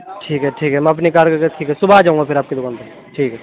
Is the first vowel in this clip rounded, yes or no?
no